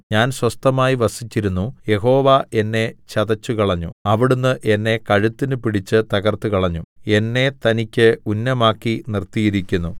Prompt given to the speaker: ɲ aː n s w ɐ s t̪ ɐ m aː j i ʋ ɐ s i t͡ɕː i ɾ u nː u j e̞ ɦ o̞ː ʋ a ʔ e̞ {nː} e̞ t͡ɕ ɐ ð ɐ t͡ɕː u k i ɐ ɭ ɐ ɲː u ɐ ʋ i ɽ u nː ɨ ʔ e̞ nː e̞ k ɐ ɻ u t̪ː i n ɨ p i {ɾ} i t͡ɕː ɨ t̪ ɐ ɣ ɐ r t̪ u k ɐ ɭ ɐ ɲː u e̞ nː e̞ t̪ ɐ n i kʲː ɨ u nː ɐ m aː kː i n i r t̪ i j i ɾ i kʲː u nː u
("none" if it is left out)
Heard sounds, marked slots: nː, ɽ

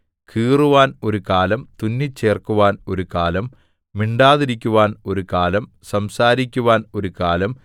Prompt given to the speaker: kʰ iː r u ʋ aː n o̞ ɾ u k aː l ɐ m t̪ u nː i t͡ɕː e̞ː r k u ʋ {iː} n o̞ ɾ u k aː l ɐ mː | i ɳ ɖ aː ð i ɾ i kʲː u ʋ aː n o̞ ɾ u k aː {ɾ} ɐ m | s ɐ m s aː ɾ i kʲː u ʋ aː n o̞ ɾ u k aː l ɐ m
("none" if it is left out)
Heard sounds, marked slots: aː, l

